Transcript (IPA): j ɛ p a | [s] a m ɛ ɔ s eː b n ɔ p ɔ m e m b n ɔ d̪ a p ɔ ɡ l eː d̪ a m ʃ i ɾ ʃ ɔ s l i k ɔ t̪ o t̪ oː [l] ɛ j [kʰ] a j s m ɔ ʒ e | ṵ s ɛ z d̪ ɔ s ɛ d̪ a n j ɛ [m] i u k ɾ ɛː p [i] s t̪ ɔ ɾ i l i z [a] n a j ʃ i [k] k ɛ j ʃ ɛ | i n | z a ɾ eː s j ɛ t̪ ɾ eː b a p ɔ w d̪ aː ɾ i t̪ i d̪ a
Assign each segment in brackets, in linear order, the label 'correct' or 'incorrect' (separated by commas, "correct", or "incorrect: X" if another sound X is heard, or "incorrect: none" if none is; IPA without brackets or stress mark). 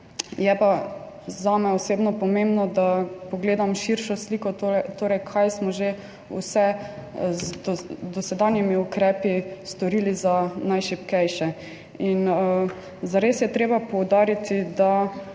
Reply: incorrect: z, incorrect: ɾ, correct, correct, correct, correct, incorrect: p